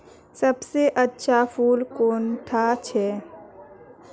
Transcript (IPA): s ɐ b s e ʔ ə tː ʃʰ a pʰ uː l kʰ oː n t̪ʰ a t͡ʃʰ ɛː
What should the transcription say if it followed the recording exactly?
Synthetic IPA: s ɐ b s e ʔ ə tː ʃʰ a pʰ uː l k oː n t̪ʰ a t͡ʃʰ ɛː